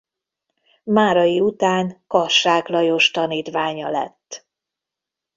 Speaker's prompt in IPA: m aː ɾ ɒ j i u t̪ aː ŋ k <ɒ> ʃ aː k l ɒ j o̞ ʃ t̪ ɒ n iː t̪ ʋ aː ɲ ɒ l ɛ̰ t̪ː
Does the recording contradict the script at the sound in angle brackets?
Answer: no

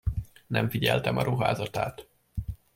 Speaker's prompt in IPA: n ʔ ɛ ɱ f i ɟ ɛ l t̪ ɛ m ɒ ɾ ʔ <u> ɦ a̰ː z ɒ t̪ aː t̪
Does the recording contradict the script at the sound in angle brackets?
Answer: no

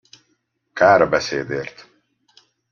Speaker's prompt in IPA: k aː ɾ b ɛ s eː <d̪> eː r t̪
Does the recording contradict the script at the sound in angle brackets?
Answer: no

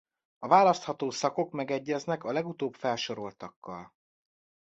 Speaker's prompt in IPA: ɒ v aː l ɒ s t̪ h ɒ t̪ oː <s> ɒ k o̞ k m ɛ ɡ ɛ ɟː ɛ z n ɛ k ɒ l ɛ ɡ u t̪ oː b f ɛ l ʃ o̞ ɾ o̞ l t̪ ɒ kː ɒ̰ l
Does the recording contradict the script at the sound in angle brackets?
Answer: no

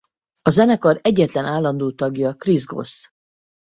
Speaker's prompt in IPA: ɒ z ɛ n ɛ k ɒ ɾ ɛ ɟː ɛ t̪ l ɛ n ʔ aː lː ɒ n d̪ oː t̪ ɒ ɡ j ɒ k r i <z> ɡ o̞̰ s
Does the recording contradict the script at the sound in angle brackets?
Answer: no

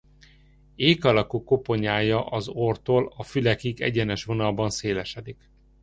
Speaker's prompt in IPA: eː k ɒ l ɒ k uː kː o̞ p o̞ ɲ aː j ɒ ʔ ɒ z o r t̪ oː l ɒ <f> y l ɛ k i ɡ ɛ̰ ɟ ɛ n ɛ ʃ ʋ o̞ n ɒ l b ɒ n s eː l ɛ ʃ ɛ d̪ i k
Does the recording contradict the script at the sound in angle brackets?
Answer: no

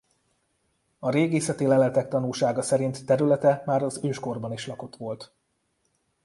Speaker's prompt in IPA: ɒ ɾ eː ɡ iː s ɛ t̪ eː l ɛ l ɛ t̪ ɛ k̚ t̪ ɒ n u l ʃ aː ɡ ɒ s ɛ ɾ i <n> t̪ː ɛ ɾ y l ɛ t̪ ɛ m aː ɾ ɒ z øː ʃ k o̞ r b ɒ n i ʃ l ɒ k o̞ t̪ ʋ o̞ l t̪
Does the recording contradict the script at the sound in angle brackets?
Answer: no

